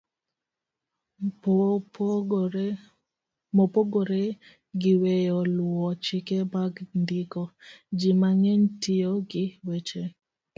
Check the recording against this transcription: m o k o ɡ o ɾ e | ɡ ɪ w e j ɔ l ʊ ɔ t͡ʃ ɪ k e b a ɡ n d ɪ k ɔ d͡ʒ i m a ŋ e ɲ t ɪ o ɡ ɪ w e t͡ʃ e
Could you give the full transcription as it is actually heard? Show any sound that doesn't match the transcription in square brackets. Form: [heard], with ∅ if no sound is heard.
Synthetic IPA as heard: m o [p] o ɡ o ɾ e | ɡ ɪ w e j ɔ l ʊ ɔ t͡ʃ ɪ k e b a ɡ n d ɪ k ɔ d͡ʒ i m a ŋ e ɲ t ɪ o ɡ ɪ w e t͡ʃ e